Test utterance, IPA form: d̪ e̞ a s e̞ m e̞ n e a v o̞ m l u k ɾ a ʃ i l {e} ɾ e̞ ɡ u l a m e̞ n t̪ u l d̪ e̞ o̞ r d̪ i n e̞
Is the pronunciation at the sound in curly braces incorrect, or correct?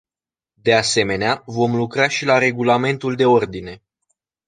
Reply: incorrect: a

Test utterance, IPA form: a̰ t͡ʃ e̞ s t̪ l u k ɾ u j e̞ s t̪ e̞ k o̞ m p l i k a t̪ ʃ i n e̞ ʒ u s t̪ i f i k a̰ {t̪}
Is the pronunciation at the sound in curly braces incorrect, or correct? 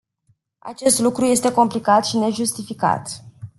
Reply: correct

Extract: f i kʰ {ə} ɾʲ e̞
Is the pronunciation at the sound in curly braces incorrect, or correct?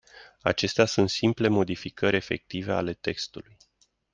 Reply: correct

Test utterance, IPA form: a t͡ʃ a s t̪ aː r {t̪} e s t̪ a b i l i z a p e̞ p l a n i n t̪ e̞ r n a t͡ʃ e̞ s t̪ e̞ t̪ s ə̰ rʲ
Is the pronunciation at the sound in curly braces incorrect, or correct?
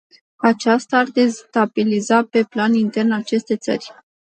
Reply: incorrect: d̪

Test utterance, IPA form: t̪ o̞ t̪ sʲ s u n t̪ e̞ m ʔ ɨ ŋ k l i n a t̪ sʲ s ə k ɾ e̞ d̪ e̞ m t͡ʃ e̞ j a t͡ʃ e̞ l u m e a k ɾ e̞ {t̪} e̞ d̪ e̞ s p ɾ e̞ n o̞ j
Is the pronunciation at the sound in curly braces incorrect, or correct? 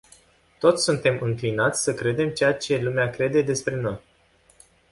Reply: incorrect: d̪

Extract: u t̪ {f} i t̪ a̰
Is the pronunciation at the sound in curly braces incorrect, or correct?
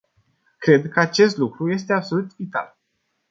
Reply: incorrect: v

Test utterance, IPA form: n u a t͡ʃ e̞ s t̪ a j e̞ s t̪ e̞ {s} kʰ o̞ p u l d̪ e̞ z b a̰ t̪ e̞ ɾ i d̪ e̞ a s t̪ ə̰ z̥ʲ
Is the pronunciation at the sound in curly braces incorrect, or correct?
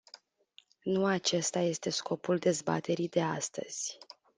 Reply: correct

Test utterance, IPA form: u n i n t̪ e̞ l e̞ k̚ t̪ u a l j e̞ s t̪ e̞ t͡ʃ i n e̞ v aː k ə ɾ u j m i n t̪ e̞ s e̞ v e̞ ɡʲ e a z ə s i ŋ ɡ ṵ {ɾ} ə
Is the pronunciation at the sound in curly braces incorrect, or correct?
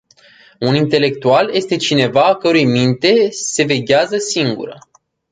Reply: correct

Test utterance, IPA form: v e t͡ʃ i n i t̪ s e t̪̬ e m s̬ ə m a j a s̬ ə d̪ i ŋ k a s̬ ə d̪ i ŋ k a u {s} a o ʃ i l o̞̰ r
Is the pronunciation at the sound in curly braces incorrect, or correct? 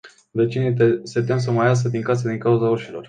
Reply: incorrect: z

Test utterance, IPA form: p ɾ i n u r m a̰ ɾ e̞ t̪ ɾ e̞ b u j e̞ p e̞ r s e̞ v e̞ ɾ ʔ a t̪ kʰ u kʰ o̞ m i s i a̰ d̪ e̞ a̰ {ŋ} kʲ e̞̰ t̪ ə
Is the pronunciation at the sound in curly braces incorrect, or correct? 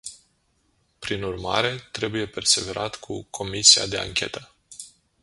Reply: correct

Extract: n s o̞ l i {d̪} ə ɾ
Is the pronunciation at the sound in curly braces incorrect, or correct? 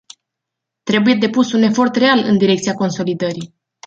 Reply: correct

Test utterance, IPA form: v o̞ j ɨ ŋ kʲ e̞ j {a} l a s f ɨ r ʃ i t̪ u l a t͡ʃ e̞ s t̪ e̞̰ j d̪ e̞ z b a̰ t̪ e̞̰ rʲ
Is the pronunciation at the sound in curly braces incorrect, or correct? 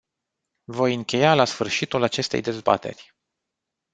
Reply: correct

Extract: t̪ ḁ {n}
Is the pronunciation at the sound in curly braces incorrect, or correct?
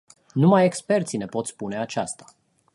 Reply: incorrect: none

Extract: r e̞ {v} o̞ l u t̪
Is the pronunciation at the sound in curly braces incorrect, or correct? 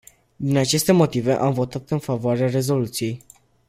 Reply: incorrect: z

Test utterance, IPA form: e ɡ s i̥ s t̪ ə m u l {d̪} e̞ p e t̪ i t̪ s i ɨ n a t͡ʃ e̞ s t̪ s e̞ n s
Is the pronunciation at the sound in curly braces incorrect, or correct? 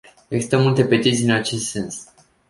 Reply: incorrect: t̪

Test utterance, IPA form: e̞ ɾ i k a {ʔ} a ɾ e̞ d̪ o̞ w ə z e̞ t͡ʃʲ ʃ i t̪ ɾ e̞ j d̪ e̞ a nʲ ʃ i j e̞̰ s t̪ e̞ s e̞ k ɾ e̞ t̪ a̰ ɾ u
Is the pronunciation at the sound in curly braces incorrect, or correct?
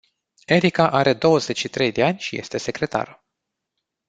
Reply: correct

